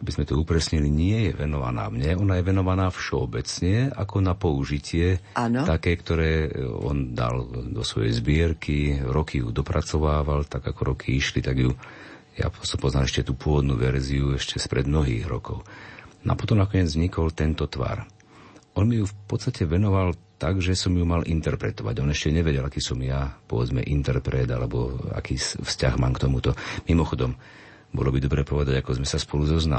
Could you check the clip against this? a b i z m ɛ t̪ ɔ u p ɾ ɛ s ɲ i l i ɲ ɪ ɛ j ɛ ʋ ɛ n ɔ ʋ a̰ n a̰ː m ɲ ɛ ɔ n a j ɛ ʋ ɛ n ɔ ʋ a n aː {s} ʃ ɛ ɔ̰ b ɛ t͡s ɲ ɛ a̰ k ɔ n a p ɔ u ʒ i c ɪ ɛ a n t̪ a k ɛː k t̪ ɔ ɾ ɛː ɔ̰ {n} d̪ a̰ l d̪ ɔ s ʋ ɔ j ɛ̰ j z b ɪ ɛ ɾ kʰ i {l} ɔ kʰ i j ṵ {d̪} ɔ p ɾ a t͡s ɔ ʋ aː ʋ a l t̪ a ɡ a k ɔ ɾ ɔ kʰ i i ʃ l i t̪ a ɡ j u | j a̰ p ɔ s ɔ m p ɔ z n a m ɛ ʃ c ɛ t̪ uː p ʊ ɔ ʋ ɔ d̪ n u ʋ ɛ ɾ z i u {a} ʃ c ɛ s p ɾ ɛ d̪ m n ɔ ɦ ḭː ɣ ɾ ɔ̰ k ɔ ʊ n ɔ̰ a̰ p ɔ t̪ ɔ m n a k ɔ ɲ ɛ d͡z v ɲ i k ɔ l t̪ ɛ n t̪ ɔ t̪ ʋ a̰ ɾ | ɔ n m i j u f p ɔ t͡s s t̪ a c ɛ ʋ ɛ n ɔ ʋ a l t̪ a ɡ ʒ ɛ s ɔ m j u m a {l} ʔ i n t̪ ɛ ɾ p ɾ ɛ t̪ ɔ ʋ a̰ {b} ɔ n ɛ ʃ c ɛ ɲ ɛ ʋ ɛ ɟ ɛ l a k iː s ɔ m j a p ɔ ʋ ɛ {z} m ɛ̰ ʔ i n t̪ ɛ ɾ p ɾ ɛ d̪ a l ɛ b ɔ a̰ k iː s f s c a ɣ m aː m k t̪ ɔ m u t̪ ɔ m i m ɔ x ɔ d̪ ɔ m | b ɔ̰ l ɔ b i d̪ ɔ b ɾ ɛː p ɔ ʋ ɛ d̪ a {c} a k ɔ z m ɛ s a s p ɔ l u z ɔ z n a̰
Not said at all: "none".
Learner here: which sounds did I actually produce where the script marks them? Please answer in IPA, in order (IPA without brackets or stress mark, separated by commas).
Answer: f, n, ɾ, d̪, ɛ, l, ɟ, d͡z, ɟ